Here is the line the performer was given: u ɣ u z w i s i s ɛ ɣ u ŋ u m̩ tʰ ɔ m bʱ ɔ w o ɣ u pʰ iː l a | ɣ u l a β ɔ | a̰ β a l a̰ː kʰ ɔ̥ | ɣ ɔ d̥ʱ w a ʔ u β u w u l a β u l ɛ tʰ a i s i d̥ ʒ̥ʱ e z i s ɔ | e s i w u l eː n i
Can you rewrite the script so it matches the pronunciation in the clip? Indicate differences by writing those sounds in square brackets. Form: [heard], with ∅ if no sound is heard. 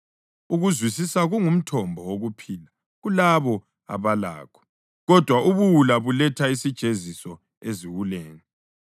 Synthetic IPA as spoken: u ɣ u z w i s i s [a] ɣ u ŋ u m̩ tʰ ɔ m bʱ ɔ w o ɣ u pʰ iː l a | ɣ u l a β ɔ | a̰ β a l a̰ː kʰ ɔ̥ | ɣ ɔ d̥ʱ w a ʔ u β u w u l a β u l ɛ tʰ a i s i d̥ ʒ̥ʱ e z i s ɔ | e [z] i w u l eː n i